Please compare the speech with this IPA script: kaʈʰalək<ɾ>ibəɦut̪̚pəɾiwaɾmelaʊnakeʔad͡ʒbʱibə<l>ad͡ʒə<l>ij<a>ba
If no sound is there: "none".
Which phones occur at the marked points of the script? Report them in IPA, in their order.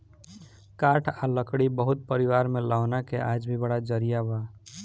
ɽ, ɽ, ɾ, a

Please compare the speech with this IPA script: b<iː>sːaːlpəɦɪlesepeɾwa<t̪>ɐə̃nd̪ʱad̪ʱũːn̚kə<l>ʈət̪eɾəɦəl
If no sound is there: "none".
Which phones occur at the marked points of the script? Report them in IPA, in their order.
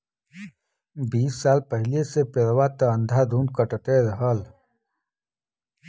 iː, t̪, none

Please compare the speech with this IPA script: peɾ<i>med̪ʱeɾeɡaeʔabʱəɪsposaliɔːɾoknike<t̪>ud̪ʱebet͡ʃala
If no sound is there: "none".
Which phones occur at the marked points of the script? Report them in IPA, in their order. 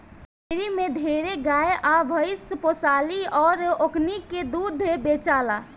i, d̪

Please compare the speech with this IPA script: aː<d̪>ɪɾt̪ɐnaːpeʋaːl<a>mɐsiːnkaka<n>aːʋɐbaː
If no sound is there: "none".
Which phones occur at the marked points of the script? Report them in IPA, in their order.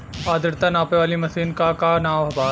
d̪, i, n

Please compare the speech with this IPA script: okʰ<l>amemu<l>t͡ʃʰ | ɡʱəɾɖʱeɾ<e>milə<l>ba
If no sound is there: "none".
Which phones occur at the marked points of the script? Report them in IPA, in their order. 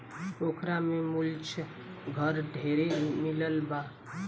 ɾ, l, e, l

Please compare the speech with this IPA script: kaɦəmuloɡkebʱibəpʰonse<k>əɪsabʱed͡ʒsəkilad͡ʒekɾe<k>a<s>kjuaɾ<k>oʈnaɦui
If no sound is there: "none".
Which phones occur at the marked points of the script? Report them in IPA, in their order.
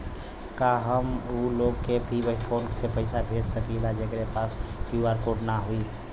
p, p, s, k

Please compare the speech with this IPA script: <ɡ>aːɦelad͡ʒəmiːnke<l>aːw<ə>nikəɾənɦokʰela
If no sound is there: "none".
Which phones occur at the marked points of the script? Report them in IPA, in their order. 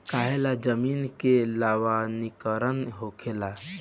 k, l, a

